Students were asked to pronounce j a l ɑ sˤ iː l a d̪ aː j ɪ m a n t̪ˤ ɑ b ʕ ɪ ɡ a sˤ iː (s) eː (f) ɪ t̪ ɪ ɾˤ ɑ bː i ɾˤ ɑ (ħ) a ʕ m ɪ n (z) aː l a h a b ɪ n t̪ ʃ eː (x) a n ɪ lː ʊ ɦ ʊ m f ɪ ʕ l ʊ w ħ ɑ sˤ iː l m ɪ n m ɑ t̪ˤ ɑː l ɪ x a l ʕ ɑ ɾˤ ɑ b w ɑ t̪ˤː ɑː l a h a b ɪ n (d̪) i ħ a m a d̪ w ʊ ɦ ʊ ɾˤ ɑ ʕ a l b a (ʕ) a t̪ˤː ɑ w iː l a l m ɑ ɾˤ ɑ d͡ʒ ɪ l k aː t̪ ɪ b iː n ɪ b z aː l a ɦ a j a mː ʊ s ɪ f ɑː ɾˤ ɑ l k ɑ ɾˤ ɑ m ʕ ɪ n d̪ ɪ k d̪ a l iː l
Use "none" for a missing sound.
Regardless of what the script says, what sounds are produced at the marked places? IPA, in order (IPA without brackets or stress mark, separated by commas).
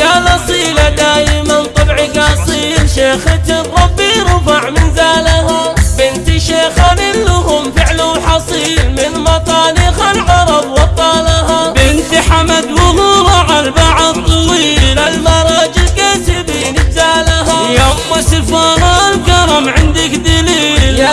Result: ʃ, x, f, z, x, t̪, ʕ